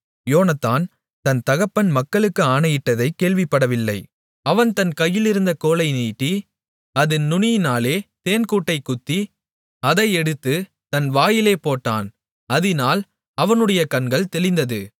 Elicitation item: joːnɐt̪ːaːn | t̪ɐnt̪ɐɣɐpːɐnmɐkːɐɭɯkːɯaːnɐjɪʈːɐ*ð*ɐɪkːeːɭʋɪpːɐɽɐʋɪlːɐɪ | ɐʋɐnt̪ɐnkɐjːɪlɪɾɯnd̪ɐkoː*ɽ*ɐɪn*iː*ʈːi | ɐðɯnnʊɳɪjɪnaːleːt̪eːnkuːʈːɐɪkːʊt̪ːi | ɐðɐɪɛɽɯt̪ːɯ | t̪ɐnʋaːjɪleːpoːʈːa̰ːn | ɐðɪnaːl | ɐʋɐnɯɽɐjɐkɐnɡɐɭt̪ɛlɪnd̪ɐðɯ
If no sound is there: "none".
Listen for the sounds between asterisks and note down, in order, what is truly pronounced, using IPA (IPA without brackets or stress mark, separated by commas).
ð, l, iː